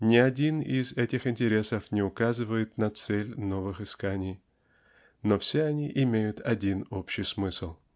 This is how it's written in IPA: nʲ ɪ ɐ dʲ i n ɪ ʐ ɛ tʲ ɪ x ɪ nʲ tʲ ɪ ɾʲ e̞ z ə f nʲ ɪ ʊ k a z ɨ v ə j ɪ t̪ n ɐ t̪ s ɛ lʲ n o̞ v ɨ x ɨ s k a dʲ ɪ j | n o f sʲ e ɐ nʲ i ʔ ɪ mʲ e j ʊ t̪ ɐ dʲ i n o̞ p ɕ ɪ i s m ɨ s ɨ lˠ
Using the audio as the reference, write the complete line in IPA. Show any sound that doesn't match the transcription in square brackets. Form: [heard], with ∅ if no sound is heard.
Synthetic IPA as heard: nʲ ɪ ɐ dʲ i n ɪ [z] ɛ tʲ ɪ x ɪ nʲ tʲ ɪ ɾʲ e̞ [s] ə f nʲ ɪ ʊ k a z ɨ v ə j ɪ t̪ n ɐ t̪ s ɛ lʲ n o̞ v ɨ x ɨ s k a [nʲ] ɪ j | n o f sʲ e ɐ nʲ i ʔ ɪ mʲ e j ʊ t̪ ɐ dʲ i n o̞ p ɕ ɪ [j] s m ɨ s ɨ lˠ